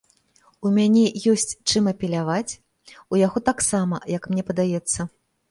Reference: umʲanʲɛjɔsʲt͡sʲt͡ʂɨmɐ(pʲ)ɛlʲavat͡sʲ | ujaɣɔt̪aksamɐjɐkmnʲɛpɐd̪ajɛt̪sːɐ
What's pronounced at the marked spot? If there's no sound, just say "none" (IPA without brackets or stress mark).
pʲ